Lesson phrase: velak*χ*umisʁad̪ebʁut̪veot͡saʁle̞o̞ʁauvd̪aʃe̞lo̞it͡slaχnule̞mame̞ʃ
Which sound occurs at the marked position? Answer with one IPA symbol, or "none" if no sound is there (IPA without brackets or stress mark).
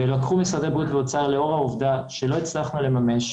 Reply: χ